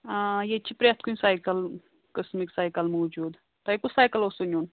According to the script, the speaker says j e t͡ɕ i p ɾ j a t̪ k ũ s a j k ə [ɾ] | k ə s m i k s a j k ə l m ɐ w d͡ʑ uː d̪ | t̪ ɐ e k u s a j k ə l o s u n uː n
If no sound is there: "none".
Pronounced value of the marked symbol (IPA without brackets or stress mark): l